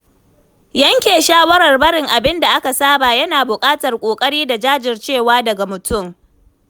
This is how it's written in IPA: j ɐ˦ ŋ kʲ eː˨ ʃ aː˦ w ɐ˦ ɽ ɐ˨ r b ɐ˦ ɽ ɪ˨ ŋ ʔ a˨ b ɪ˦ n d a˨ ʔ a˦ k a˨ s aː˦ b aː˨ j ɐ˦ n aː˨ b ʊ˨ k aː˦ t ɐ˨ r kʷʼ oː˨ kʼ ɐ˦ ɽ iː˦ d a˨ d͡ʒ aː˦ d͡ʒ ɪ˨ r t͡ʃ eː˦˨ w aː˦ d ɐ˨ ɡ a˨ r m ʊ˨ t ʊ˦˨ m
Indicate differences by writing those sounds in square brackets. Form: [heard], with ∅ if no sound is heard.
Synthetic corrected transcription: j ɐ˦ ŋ kʲ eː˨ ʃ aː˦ w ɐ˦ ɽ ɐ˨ r b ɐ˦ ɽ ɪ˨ ŋ ʔ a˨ b ɪ˦ n d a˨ ʔ a˦ k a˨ s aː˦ b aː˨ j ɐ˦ n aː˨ b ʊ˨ [kʼ] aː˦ t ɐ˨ r kʷʼ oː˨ kʼ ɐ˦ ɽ iː˦ d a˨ d͡ʒ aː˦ d͡ʒ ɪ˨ r t͡ʃ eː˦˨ w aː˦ d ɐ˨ ɡ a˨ [∅] m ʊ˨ t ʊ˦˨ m